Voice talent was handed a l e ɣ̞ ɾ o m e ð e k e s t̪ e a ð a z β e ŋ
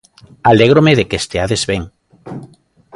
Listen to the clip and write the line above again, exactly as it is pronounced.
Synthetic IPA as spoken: a l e ɣ̞ ɾ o m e ð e k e s t̪ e a ð e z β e ŋ